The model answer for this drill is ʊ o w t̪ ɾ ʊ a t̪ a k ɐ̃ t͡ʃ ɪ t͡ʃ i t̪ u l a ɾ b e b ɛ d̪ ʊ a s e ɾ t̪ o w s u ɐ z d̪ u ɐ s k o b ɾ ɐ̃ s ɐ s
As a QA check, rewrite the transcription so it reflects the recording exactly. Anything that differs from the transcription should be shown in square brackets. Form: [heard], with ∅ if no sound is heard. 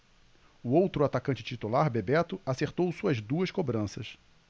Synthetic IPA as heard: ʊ o w t̪ ɾ ʊ a t̪ a k ɐ̃ t͡ʃ ɪ t͡ʃ i t̪ u l a ɾ b e b ɛ [t̪] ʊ a s e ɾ t̪ o w s u ɐ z d̪ u ɐ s k o b ɾ ɐ̃ s ɐ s